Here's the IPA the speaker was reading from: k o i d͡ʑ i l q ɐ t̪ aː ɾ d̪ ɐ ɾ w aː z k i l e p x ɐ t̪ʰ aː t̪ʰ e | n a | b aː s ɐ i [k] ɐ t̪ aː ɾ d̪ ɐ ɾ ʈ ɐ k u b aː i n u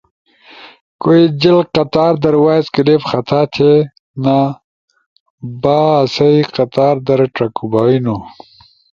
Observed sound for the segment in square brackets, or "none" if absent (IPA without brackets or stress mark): q